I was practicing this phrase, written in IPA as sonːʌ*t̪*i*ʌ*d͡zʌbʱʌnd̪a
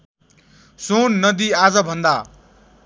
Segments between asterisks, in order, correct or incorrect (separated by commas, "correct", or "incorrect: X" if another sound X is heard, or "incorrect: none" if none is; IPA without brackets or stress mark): incorrect: d̪, incorrect: a